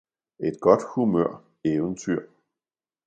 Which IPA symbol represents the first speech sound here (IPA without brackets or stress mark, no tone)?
e̝